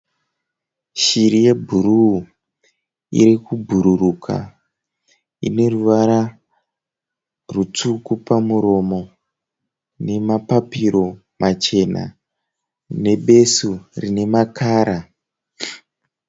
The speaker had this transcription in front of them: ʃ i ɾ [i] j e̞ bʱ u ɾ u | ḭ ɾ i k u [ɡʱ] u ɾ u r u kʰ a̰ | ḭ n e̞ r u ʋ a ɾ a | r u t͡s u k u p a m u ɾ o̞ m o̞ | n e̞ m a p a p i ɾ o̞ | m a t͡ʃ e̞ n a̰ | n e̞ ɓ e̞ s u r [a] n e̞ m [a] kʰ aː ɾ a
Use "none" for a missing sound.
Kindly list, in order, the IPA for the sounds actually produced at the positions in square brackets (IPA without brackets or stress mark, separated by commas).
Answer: i, bʱ, i, a